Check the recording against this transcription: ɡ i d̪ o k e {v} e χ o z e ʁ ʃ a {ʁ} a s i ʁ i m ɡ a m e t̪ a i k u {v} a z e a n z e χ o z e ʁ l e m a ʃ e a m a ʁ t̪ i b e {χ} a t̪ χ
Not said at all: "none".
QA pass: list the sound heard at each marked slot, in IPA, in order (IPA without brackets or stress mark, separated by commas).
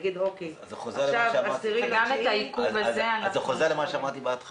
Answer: z, v, v, none